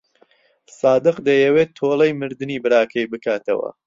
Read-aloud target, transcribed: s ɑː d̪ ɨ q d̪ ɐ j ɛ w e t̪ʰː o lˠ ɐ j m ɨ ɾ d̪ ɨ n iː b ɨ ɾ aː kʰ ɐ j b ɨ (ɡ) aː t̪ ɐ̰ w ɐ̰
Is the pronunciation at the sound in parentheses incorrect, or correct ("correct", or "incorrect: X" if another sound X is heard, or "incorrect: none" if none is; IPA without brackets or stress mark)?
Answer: incorrect: k